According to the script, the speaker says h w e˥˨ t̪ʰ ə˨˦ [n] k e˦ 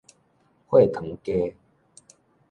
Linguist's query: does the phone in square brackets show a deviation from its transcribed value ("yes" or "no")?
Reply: yes